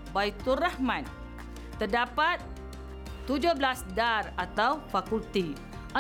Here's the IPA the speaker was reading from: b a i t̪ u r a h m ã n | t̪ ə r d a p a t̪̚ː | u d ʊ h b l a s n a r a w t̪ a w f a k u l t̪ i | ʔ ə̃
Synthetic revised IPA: b a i t̪ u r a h m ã n | t̪ ə r d a p a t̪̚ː | u d͡ʒ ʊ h b l a s d a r a t̪ a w f a k u l t̪ i | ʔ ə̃